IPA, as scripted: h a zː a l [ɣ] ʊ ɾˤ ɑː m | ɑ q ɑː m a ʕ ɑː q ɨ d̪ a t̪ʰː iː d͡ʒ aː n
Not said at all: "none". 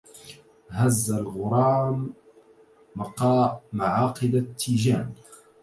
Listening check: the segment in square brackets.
ɣ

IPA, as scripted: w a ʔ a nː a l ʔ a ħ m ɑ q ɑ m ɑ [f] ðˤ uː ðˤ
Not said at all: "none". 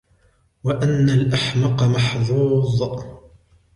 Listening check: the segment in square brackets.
ħ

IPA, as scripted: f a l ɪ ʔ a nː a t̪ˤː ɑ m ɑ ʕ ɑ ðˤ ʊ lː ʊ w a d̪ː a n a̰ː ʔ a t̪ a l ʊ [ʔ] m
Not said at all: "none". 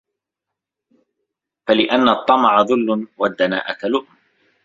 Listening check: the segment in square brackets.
ʔ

